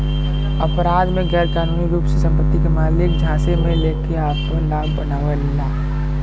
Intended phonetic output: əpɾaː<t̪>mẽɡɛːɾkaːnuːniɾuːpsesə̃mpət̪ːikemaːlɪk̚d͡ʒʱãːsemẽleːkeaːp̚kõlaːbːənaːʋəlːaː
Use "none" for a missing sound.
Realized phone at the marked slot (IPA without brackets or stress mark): d̪